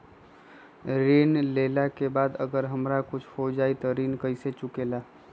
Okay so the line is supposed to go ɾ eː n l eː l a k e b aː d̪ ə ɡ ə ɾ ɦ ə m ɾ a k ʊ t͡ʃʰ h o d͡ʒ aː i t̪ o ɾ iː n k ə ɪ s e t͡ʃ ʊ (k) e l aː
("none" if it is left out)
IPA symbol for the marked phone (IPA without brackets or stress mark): k